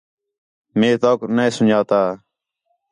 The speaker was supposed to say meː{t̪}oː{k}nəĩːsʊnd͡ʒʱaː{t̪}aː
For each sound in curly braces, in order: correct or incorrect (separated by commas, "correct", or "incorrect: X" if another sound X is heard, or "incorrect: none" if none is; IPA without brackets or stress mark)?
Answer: correct, correct, correct